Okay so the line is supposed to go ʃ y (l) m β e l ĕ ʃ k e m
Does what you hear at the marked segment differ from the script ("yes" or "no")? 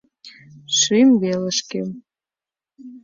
yes